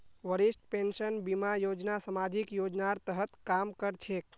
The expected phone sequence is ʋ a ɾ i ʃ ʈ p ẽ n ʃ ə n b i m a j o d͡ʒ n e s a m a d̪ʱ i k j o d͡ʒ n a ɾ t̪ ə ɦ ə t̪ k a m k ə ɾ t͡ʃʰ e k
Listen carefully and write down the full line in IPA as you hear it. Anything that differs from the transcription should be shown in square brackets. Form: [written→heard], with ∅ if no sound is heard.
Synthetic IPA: ʋ [a→ə] ɾ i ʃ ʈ p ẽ n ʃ ə n b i m a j o d͡ʒ n [e→a] s [a→ə] m a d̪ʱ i k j o d͡ʒ n a ɾ t̪ ə ɦ ə t̪ k a m k ə ɾ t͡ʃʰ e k